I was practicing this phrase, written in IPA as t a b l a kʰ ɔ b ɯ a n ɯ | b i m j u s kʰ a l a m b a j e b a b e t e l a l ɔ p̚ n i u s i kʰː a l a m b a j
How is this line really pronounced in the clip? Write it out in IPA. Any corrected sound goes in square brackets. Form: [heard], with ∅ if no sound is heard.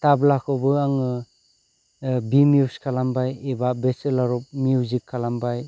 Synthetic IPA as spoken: t a b l a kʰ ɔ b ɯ a [ŋ] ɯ | b i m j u s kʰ a l a m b a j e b a b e [s] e l a [ɾ] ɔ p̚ [m] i u [z] i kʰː a l a m b a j